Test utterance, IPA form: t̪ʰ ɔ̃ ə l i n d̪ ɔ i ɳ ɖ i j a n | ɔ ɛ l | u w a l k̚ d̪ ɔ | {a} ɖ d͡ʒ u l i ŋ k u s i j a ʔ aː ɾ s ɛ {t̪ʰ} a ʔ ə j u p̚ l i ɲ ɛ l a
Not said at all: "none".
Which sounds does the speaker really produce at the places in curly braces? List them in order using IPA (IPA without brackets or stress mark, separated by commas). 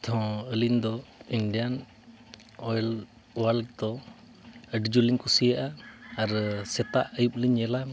ə, t̪